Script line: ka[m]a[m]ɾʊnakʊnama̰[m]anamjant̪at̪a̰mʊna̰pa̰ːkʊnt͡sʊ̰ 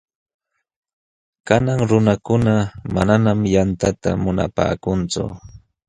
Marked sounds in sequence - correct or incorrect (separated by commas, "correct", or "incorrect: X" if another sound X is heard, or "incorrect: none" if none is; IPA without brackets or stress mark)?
incorrect: n, incorrect: ŋ, incorrect: n